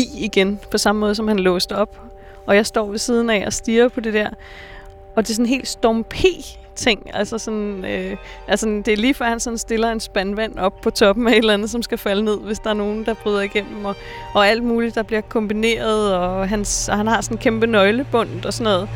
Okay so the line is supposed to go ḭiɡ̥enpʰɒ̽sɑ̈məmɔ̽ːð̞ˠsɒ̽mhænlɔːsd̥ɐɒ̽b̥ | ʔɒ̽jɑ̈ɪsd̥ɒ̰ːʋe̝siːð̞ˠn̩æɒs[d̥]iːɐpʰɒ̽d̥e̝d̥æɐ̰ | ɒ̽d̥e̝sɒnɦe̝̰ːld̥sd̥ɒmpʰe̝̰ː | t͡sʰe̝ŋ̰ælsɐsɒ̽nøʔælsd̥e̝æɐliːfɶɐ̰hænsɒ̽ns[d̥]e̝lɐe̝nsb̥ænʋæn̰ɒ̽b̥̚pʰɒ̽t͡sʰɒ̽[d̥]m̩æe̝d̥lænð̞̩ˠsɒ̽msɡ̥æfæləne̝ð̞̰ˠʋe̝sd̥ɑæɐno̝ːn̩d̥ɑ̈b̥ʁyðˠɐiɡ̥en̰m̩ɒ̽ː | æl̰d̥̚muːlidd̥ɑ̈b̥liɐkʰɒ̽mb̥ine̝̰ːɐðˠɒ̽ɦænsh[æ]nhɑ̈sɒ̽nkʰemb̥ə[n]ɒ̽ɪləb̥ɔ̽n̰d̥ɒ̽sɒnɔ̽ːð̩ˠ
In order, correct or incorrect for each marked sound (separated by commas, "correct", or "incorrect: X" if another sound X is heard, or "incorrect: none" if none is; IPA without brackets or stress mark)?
correct, correct, incorrect: b̥, correct, correct